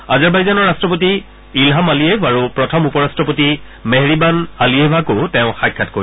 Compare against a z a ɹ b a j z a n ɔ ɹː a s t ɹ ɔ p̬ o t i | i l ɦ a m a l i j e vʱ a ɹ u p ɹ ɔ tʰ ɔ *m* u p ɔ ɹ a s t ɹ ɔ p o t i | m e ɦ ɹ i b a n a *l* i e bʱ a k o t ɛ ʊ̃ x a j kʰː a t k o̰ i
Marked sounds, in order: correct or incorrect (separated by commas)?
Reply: correct, correct